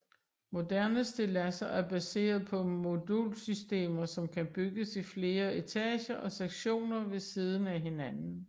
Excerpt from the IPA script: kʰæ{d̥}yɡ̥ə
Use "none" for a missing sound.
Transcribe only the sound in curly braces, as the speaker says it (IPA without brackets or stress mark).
b̥